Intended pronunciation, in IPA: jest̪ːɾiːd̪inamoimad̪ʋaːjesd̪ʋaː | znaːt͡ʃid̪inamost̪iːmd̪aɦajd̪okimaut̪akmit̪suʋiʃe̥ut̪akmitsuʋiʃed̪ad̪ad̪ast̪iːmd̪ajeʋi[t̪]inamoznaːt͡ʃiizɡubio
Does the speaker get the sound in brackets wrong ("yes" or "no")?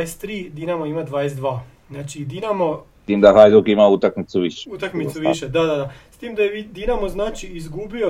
yes